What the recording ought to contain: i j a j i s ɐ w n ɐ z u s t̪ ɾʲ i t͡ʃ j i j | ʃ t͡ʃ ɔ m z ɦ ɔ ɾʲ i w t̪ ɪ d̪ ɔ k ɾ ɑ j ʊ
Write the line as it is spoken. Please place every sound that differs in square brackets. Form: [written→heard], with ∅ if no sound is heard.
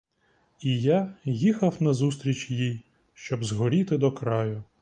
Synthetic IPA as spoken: i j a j i [s→x] ɐ w n ɐ z u s t̪ ɾʲ i t͡ʃ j i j | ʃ t͡ʃ ɔ [m→b] z ɦ ɔ ɾʲ i [w→∅] t̪ ɪ d̪ ɔ k ɾ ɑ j ʊ